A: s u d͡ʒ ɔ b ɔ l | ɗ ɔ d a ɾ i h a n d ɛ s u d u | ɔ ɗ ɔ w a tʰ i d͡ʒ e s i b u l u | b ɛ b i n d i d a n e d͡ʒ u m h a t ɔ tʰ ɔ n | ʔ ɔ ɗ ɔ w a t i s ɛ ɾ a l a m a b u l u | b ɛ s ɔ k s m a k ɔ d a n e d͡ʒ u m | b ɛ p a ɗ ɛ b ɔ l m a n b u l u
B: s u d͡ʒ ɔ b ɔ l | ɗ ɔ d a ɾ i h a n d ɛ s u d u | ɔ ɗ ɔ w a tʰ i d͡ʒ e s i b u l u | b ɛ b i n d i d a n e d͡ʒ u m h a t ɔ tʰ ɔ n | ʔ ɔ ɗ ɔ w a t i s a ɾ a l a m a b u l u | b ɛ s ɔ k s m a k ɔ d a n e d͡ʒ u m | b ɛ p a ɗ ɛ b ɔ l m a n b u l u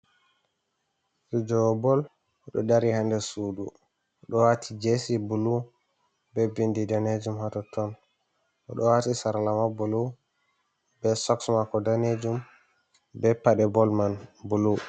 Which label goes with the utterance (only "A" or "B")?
B